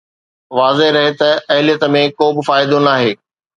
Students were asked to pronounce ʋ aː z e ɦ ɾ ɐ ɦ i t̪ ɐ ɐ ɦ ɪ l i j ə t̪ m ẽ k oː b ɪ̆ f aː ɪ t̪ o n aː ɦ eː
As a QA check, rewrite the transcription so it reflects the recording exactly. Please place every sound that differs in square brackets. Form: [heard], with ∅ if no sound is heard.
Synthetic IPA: ʋ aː z e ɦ ɾ ɐ ɦ [e] t̪ ɐ ɐ ɦ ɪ l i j ə t̪ m ẽ k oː b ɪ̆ f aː ɪ [d̪] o n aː ɦ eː